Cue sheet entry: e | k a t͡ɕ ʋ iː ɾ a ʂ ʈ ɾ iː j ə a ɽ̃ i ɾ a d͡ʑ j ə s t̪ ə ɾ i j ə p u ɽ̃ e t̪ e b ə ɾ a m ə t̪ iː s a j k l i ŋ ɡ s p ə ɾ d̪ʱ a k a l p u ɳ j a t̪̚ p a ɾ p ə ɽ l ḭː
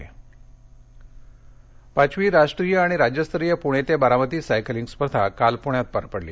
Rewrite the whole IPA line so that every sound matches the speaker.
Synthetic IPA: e | p a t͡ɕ ʋ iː ɾ a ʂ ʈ ɾ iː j ə a ɽ̃ i ɾ a d͡ʑ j ə s t̪ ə ɾ i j ə p u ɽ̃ e t̪ e b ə ɾ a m ə t̪ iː s a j k l i ŋ ɡ s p ə ɾ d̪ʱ a k a l p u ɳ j a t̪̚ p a ɾ p ə ɽ l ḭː

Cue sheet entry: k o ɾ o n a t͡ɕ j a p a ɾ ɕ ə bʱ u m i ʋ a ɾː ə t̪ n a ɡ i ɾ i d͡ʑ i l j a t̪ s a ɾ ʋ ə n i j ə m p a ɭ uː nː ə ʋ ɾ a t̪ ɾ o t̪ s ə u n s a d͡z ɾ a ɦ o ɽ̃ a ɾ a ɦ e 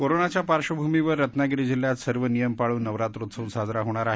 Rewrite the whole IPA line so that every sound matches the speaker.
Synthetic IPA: k o ɾ o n a t͡ɕ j a p a ɾ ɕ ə bʱ u m i ʋ ə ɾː ə t̪ n a ɡ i ɾ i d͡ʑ i l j a t̪ s ə ɾ ʋ ə n i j ə m p a ɭ uː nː ə ʋ ɾ a t̪ ɾ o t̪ s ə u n s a d͡z ɾ a ɦ o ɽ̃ a ɾ a ɦ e

